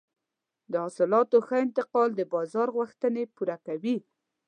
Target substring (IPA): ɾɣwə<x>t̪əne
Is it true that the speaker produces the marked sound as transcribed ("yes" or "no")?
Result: yes